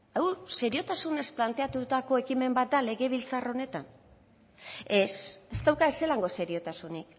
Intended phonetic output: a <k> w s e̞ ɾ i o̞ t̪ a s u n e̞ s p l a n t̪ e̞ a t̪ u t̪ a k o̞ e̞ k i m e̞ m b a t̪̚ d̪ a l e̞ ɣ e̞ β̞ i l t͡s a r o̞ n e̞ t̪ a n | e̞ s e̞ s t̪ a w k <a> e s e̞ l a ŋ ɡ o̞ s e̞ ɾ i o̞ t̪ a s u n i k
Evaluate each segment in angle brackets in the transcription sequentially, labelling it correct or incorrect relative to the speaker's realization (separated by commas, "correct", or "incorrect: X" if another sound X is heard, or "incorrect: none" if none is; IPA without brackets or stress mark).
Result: incorrect: none, correct